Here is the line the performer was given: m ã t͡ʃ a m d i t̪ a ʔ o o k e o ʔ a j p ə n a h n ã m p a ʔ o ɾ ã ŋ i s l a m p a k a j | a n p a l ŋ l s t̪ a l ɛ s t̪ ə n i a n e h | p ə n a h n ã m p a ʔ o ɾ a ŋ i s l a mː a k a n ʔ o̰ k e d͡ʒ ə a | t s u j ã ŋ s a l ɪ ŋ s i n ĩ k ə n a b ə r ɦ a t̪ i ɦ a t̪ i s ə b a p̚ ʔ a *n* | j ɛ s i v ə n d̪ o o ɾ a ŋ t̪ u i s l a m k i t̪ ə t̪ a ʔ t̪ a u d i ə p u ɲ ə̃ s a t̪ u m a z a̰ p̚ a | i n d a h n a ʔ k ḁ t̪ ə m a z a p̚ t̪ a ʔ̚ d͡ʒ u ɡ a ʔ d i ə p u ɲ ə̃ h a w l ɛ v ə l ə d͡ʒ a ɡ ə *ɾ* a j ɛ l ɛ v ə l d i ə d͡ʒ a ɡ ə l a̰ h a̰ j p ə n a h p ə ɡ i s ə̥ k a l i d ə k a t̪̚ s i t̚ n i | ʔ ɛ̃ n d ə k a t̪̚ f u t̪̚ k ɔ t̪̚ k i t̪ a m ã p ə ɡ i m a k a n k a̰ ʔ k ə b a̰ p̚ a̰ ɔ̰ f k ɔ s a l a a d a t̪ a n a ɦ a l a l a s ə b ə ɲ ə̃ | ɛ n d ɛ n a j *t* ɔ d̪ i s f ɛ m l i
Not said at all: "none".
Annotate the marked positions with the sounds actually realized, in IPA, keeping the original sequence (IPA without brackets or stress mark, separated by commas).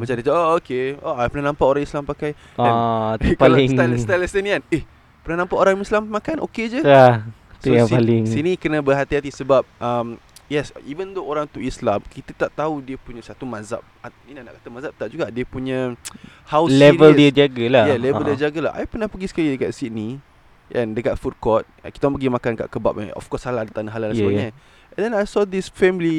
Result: m, l, s